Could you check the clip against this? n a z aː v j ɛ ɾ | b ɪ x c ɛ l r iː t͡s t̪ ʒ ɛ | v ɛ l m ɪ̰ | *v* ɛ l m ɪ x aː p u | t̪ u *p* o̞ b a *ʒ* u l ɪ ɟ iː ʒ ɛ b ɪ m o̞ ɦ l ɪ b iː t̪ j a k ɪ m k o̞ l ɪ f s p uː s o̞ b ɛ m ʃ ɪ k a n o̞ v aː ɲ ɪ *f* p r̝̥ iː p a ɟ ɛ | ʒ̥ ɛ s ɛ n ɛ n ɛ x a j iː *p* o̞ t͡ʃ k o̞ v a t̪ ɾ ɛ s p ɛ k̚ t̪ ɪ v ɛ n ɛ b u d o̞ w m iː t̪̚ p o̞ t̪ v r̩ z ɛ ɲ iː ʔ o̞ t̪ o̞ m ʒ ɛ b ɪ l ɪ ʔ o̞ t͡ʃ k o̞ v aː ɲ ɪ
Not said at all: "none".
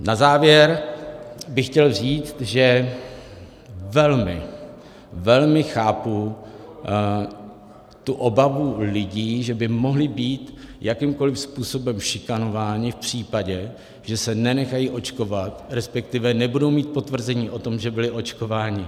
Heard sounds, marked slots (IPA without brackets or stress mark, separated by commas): v, ʔ, v, f, ʔ